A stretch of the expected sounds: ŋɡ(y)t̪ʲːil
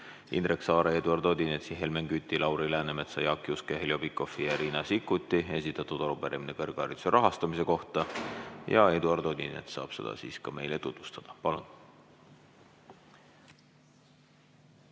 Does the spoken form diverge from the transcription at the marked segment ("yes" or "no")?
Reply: no